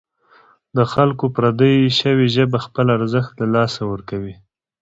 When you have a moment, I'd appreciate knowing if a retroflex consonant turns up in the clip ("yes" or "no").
no